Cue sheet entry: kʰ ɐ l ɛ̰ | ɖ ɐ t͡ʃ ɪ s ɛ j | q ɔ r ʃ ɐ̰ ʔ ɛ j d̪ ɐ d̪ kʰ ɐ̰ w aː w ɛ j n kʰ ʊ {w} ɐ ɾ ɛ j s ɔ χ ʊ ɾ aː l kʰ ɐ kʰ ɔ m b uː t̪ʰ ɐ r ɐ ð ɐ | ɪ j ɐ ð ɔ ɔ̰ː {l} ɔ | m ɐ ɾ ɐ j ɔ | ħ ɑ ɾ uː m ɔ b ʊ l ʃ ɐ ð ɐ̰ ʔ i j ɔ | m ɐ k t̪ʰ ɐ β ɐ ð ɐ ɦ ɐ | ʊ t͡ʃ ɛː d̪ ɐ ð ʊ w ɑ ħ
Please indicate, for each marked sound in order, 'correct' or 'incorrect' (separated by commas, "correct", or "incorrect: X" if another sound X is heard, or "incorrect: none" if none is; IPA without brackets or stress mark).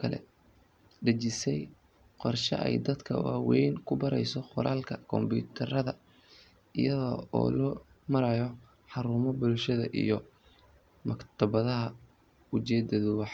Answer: incorrect: b, correct